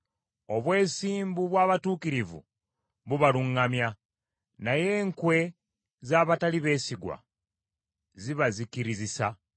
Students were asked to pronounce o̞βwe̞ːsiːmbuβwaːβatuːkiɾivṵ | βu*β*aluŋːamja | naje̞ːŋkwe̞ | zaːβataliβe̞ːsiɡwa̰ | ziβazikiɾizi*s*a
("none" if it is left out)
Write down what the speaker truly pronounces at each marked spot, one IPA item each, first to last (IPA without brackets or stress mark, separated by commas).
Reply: β, s